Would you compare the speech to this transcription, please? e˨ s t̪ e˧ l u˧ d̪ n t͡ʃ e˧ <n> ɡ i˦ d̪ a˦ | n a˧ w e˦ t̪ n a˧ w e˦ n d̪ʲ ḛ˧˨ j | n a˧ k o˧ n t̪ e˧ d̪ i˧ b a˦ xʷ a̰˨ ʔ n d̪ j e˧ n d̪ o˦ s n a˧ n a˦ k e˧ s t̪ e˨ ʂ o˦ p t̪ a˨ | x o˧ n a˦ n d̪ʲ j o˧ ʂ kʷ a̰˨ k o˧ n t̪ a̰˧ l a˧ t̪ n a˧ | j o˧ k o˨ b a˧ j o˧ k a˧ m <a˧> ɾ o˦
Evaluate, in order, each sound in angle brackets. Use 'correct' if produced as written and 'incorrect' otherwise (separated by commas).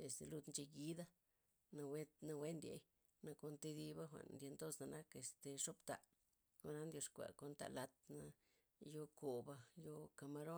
incorrect, correct